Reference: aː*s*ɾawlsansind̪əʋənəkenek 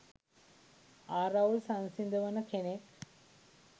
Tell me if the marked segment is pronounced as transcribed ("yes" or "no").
no